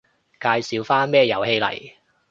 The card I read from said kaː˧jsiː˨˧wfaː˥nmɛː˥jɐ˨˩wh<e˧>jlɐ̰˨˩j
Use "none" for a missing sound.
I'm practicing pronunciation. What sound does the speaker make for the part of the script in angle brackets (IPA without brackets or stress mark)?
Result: e˧